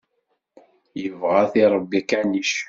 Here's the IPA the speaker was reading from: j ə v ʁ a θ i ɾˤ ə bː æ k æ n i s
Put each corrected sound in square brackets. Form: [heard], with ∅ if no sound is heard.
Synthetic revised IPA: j ə v ʁ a θ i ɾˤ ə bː [i] k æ n i [ʃ]